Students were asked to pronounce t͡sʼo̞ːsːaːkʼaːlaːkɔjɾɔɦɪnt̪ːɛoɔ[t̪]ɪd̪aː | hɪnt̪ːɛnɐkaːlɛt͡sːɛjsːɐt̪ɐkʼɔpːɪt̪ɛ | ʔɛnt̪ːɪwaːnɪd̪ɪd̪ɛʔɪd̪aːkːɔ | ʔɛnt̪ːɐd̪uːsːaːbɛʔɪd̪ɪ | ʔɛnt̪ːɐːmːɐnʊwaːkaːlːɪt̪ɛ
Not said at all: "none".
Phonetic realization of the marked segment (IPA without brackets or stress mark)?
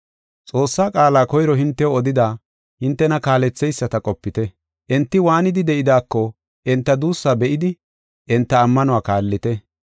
d̪